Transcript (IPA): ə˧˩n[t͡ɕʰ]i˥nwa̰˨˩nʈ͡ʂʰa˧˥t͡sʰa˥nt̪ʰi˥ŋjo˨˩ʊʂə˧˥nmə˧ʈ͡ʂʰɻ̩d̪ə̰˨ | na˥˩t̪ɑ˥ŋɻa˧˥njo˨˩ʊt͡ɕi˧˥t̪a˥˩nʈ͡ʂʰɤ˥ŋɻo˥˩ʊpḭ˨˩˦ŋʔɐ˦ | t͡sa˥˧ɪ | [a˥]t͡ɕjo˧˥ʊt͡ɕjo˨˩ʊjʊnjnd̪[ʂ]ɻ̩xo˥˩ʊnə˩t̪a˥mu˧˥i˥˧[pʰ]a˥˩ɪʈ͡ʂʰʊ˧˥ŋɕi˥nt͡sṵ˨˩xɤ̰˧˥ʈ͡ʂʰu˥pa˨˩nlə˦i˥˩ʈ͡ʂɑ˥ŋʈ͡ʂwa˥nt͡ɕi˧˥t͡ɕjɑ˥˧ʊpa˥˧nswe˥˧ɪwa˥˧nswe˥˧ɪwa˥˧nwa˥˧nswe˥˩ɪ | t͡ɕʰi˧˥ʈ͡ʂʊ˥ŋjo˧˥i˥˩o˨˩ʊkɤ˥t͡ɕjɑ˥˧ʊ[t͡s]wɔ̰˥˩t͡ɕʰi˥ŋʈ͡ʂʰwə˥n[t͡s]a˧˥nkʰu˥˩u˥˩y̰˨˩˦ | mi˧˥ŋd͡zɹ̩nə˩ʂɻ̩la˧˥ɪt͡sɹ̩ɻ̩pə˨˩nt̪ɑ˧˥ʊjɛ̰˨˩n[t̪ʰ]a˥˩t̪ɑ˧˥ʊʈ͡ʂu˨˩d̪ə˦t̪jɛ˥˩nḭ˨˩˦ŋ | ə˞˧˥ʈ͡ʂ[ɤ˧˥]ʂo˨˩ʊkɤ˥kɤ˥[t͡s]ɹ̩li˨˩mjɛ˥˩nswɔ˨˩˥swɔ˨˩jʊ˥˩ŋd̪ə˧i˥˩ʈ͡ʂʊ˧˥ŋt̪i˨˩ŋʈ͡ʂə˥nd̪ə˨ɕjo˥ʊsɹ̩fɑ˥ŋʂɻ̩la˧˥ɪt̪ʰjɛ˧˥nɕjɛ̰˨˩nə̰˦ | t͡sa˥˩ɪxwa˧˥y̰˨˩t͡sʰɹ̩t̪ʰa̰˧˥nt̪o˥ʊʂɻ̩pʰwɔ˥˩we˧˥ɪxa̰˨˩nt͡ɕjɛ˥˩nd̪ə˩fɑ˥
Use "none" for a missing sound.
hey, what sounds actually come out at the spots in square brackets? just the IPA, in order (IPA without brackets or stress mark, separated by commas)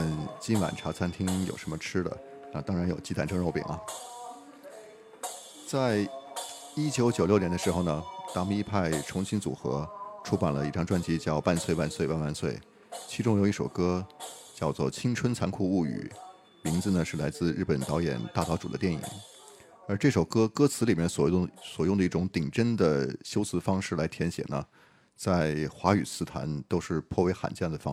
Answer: t͡ɕ, i˥, ʂ, pʰ, t͡s, t͡sʰ, t̪, ɤ˥˩, t͡sʰ